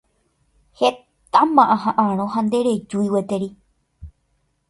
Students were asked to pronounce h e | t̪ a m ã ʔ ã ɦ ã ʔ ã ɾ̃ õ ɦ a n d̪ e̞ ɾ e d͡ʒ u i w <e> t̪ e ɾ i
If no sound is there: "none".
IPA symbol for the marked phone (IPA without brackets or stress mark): e